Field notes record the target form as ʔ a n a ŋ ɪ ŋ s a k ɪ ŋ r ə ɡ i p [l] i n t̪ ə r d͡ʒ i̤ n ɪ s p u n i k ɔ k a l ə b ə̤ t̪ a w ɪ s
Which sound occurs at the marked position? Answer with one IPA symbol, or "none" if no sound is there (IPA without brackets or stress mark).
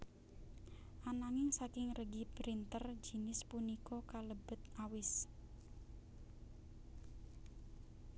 ɾ